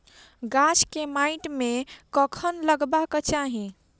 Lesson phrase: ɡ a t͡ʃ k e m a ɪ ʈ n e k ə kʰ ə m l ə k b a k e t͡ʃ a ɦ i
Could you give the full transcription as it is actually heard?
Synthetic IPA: ɡ a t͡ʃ k e m a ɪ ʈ m e k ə kʰ ə n l ə ɡ b a k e t͡ʃ a ɦ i